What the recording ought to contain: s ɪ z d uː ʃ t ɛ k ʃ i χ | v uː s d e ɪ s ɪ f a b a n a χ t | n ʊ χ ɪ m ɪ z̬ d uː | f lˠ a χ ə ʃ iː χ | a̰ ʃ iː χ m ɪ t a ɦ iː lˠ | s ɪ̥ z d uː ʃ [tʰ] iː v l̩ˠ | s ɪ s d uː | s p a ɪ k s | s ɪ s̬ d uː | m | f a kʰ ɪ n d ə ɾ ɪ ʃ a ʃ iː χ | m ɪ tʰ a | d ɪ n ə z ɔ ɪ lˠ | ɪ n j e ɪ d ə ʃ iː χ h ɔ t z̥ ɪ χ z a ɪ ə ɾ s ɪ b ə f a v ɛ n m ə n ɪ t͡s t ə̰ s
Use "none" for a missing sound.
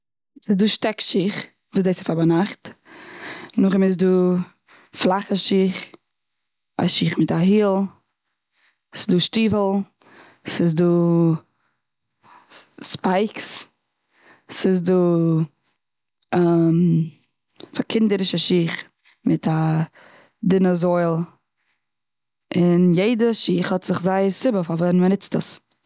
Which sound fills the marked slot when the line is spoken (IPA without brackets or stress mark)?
t